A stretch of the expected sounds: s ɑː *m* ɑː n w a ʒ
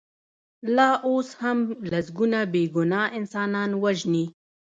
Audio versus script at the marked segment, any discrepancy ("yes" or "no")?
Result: yes